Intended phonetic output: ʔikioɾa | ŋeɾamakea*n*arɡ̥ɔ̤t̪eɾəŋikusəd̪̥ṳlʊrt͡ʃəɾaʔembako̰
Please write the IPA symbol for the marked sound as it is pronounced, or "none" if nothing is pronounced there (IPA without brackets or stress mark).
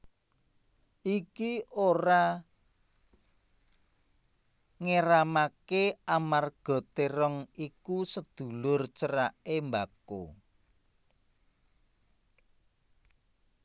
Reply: m